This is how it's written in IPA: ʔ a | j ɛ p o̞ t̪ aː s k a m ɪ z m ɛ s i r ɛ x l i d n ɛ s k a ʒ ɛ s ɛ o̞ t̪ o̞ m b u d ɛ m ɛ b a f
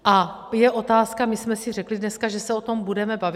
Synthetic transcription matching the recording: ʔ a | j ɛ ʔ o̞ t̪ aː s k a m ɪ s m ɛ s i r ɛ k l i d n ɛ s k a ʒ ɛ s ɛ o̞ t̪ o̞ m b u d ɛ m ɛ b a v